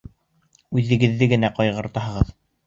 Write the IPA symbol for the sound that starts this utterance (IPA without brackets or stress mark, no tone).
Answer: ʉ